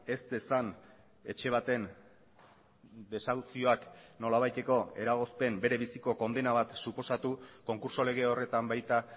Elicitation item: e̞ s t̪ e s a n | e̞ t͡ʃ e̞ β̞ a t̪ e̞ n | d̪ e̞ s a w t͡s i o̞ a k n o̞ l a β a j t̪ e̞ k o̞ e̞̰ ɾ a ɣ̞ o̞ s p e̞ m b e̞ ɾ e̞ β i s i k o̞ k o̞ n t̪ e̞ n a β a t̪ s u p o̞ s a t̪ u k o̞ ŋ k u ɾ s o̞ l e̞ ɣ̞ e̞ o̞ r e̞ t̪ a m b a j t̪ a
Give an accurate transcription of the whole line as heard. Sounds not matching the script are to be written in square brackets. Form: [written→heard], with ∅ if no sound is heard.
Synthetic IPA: e̞ s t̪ e s a n | e̞ t͡ʃ e̞ β̞ a t̪ e̞ n | d̪ e̞ s a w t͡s i o̞ a k n o̞ l a β a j t̪ e̞ k o̞ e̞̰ ɾ a ɣ̞ o̞ s p e̞ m b e̞ ɾ e̞ β i s i k o̞ k o̞ n [t̪→d̪] e̞ n a β a t̪ s u p o̞ s a t̪ u k o̞ ŋ k u ɾ s o̞ l e̞ ɣ̞ e̞ o̞ r e̞ t̪ a m b a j t̪ a